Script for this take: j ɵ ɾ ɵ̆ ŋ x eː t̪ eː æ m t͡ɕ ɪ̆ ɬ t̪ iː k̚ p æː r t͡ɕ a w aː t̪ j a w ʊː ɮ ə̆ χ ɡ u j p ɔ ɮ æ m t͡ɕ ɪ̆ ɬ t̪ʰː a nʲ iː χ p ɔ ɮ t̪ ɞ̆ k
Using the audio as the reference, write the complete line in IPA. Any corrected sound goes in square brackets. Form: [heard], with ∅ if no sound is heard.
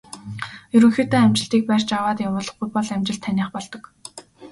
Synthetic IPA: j ɵ ɾ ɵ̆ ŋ x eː t̪ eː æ m t͡ɕ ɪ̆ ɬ t̪ iː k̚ p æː r t͡ɕ a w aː t̪ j a w ʊː ɮ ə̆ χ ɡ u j p ɔ ɮ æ m t͡ɕ ɪ̆ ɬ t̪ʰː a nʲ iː χ p ɔ ɮ t̪ ɞ̆ k